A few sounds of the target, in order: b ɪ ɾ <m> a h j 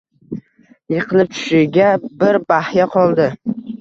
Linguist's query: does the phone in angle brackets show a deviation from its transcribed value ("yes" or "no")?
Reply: yes